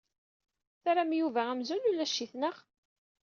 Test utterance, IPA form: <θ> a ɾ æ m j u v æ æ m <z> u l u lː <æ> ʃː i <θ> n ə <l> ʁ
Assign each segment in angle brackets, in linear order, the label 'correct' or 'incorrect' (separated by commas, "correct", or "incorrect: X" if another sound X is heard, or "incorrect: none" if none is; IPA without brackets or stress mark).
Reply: correct, correct, correct, correct, incorrect: none